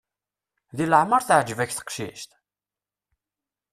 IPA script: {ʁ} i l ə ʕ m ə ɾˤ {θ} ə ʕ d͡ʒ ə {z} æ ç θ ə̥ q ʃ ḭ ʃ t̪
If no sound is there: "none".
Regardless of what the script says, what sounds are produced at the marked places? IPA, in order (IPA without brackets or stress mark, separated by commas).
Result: ð, θ, v